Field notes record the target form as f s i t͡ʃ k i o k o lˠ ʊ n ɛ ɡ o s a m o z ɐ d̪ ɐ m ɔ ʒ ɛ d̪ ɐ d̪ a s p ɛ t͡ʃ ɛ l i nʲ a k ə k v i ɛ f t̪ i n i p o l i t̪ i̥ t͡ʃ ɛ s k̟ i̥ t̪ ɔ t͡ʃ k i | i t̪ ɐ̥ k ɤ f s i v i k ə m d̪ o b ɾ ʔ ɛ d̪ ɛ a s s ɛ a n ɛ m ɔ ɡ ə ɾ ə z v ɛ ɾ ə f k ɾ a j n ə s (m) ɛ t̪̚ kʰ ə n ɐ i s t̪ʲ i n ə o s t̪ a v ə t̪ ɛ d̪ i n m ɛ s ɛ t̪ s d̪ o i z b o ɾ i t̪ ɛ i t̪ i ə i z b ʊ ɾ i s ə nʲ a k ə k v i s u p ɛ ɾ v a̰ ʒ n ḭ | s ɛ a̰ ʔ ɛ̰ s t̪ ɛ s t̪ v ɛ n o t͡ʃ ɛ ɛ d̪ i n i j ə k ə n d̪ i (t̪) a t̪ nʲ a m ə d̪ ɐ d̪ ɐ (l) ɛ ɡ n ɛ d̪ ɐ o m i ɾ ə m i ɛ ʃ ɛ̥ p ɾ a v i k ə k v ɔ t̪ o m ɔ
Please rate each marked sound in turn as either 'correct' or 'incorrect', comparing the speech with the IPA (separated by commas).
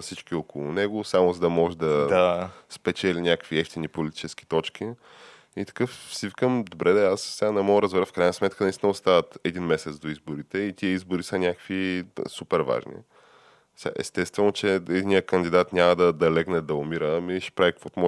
correct, incorrect, correct